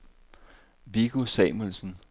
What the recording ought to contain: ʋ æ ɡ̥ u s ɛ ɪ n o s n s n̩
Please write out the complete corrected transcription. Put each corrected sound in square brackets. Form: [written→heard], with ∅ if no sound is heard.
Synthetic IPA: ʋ [æ→i] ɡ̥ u s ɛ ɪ [n→m] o [s→∅] n s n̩